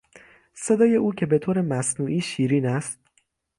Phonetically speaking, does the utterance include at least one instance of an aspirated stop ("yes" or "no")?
yes